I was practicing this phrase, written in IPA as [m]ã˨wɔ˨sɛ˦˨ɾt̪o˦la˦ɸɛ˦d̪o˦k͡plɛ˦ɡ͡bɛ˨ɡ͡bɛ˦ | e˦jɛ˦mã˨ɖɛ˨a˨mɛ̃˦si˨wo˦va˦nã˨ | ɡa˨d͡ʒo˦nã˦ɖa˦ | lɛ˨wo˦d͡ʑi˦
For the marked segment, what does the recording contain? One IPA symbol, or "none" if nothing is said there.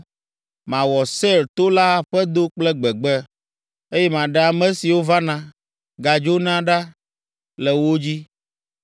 m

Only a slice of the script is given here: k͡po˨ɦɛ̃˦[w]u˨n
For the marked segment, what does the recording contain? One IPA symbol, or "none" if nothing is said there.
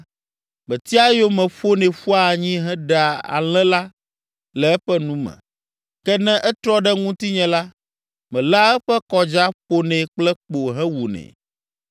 w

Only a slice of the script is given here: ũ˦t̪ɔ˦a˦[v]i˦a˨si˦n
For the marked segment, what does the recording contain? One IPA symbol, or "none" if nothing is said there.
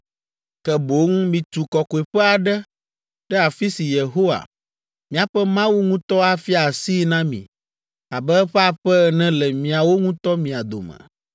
f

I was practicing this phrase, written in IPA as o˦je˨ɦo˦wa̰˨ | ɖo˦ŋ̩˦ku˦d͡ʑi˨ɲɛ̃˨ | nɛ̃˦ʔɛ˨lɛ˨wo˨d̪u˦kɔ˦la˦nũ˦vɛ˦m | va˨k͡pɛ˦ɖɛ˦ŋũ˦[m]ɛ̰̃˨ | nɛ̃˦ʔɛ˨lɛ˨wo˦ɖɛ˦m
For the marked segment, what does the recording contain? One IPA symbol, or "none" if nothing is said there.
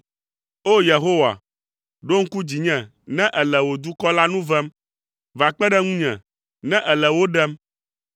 ɲ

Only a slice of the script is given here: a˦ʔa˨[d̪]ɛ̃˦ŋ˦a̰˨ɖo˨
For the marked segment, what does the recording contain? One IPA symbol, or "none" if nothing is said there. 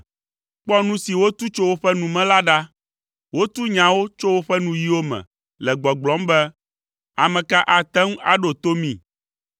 t̪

